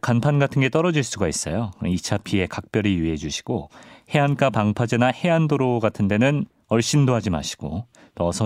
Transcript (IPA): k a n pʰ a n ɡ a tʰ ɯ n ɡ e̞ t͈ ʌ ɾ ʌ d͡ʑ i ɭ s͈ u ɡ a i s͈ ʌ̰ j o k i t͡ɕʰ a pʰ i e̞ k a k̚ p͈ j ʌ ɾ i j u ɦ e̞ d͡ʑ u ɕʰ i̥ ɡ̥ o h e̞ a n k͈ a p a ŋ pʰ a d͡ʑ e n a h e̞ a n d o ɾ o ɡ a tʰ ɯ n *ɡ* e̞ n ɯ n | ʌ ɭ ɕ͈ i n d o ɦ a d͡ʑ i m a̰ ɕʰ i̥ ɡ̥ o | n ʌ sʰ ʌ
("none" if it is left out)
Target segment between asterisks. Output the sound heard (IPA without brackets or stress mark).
d